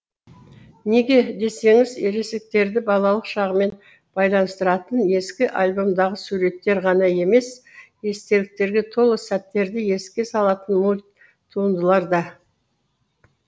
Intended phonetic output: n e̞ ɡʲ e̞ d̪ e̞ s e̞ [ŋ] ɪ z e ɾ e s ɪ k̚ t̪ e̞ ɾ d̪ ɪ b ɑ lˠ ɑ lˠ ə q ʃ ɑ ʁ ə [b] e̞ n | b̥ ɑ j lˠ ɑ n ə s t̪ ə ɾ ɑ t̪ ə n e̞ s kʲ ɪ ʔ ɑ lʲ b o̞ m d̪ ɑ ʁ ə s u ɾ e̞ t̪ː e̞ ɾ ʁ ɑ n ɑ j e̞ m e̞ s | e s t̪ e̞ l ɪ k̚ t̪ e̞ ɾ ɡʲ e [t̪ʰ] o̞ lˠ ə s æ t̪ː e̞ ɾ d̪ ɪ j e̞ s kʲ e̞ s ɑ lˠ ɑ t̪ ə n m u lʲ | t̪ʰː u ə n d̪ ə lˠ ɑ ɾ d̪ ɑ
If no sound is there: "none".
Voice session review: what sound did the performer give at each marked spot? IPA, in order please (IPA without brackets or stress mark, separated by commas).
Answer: ŋ, m, t̪ʰ